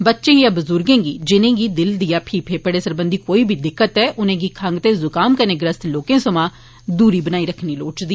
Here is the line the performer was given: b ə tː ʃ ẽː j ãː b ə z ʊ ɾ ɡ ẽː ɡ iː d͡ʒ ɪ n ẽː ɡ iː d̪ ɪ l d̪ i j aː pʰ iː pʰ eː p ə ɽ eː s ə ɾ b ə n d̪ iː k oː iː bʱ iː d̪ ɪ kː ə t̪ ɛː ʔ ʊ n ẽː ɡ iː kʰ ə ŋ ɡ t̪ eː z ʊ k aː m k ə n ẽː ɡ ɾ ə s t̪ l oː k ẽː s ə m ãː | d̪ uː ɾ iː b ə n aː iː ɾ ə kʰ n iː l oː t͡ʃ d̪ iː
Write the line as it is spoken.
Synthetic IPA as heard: b ə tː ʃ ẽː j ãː b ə z ʊ ɾ ɡ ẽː ɡ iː d͡ʒ ɪ n ẽː ɡ iː d̪ ɪ l d̪ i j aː pʰ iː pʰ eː p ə ɽ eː s ə ɾ b ə n d̪ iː k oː iː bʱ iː d̪ ɪ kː ə t̪ ɛː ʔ ʊ n ẽː ɡ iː kʰ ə ŋ ɡ t̪ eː z ʊ k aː m k ə n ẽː ɡ ɾ ə s t̪ l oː k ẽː s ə m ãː | d̪ uː ɾ iː b ə n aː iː ɾ ə kʰ n iː l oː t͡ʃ d̪ iː